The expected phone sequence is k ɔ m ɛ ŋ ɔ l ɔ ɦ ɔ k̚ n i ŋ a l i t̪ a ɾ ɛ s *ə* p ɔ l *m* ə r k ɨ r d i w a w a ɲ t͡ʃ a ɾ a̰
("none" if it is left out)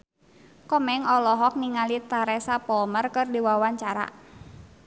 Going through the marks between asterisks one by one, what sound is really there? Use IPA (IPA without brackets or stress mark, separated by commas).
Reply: a, m